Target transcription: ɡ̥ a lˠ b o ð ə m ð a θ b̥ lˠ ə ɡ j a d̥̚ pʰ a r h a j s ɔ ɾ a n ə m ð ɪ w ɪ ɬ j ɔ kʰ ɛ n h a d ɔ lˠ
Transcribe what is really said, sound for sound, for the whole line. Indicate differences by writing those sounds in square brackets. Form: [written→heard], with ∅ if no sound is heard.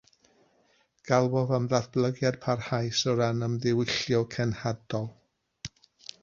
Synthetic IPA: ɡ̥ a lˠ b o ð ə m ð a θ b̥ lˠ ə ɡ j a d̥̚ pʰ a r h a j s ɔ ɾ a n ə m ð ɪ w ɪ ɬ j ɔ kʰ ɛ n h a d ɔ lˠ